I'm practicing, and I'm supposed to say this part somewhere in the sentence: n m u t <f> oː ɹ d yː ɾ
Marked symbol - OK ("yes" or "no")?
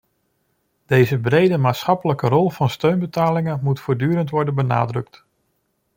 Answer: yes